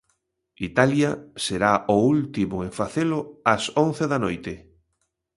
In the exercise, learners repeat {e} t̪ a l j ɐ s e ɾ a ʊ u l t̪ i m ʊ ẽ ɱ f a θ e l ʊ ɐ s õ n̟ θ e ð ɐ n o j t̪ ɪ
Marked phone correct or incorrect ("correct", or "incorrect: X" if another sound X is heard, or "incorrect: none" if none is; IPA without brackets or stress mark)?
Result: incorrect: i